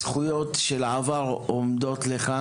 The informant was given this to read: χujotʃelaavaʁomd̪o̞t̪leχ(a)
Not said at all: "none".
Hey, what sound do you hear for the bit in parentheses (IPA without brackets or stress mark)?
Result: a